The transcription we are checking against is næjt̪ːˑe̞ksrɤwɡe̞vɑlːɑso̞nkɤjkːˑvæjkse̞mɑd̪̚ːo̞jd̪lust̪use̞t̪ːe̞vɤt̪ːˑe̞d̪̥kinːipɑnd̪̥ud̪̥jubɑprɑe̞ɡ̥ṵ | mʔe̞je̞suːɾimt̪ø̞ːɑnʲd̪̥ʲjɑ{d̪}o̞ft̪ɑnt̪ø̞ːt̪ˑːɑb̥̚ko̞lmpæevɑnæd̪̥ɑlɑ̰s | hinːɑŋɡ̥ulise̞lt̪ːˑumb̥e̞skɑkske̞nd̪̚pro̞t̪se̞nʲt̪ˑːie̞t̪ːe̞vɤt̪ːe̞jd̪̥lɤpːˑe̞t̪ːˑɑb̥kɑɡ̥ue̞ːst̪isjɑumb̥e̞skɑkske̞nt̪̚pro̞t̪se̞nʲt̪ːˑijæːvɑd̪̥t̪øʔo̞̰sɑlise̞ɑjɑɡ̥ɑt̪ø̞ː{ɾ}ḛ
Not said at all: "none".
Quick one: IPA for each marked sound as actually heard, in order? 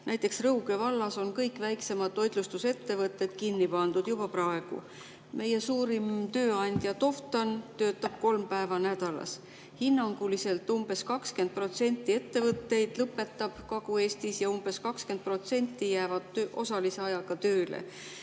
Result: t̪, l

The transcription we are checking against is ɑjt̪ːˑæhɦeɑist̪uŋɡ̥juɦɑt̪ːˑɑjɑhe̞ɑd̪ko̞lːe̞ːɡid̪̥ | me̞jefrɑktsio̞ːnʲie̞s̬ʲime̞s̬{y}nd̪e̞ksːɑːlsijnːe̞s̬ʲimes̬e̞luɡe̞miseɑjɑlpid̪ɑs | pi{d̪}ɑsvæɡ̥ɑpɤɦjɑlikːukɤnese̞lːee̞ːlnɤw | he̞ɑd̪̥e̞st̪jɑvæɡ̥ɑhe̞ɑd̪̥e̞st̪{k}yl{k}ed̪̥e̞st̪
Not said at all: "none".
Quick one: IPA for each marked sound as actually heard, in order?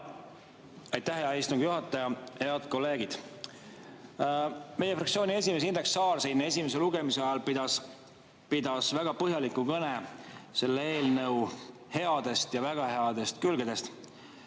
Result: i, d̪, k, ɡ

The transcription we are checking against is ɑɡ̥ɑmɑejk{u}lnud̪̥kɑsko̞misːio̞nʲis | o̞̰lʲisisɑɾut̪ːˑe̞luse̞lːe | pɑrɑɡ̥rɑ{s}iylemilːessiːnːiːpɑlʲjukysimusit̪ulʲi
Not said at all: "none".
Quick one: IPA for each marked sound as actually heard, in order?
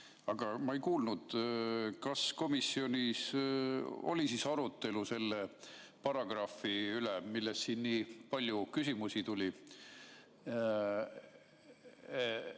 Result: uː, f

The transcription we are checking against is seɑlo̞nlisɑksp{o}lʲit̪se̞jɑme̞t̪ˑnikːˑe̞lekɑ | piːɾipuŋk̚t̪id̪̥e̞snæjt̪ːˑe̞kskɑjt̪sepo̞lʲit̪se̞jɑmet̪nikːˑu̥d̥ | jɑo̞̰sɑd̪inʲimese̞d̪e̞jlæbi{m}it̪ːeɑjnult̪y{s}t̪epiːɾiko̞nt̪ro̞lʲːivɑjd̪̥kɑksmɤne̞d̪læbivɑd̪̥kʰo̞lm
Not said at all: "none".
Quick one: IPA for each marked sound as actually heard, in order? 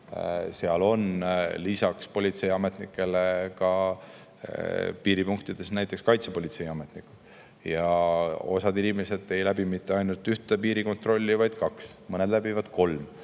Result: o, m, h

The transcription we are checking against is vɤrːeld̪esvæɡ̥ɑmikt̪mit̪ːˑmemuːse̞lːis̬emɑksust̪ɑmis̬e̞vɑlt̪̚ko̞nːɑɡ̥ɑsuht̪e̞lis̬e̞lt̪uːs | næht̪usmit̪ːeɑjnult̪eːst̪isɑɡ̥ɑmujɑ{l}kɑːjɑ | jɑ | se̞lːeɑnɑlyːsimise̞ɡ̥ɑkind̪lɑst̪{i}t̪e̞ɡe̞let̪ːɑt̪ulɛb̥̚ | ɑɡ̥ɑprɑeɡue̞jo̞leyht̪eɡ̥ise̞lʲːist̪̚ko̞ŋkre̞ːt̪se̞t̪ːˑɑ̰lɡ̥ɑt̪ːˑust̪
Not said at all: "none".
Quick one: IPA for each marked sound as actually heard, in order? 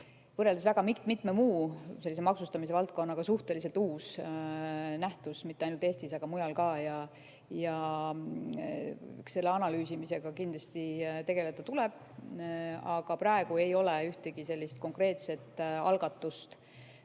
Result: l, i

